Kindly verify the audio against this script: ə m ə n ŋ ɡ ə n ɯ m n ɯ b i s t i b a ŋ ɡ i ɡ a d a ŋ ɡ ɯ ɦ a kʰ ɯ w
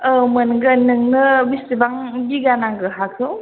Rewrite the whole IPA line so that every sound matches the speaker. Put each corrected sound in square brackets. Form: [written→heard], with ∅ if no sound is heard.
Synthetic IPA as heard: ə m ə n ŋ ɡ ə n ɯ [m→ŋ] n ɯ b i s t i b a ŋ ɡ i ɡ a [d→n] a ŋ ɡ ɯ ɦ a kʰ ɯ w